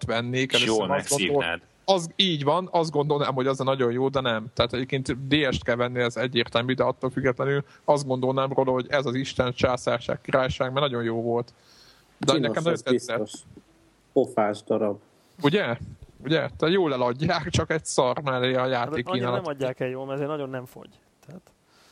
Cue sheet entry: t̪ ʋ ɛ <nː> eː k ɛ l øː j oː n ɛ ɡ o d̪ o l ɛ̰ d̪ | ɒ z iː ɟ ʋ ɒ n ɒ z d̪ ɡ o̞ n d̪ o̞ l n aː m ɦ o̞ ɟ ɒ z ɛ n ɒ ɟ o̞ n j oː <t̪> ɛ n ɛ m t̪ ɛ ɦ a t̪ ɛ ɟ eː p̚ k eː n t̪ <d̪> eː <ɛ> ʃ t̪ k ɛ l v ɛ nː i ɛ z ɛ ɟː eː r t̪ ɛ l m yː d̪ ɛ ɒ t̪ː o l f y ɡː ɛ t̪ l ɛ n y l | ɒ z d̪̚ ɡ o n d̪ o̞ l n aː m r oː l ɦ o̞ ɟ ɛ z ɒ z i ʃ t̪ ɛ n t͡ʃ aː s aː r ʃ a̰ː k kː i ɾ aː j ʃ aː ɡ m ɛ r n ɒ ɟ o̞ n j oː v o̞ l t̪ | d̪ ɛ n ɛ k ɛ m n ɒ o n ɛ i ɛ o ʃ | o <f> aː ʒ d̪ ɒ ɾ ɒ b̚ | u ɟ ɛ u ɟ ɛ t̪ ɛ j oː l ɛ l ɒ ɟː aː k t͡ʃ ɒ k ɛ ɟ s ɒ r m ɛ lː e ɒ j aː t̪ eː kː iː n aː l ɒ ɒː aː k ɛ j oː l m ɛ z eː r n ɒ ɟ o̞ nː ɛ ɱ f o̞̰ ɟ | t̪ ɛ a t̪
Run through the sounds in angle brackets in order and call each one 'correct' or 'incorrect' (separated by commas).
correct, incorrect, correct, correct, correct